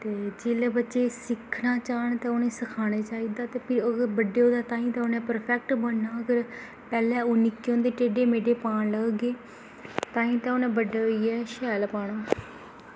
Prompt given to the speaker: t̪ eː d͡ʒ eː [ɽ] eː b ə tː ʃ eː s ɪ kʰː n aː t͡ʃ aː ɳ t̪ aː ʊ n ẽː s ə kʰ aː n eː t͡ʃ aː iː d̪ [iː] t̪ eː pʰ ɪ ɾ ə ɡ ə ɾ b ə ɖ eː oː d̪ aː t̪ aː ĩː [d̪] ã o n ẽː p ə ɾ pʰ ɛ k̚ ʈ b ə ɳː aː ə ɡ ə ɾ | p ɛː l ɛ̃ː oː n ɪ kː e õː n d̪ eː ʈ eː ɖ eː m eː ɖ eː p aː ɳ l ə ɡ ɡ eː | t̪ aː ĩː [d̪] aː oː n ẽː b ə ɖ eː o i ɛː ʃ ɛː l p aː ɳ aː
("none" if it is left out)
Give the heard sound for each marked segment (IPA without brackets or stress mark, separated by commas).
l, aː, t̪, t̪